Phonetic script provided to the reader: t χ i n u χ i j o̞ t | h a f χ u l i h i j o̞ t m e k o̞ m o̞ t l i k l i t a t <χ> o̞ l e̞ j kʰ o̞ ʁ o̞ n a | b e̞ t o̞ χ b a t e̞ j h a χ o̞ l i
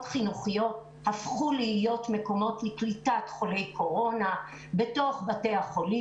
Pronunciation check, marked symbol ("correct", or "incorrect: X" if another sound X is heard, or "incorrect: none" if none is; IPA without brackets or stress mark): correct